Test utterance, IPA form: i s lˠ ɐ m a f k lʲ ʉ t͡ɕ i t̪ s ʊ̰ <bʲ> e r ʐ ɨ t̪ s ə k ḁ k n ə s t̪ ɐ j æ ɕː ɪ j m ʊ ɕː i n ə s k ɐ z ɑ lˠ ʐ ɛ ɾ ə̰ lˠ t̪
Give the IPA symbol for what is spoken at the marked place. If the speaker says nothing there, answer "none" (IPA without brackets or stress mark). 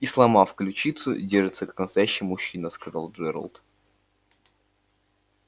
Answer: dʲ